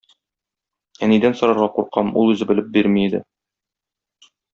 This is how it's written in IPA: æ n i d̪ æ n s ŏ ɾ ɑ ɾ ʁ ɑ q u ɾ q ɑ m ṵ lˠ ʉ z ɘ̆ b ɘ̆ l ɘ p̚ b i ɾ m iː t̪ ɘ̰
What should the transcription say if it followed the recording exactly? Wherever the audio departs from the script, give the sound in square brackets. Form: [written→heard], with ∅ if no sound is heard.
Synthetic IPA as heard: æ n i d̪ æ n s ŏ ɾ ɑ ɾ ʁ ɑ q u ɾ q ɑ m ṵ lˠ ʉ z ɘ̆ b ɘ̆ l ɘ p̚ b i ɾ m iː [t̪→d̪] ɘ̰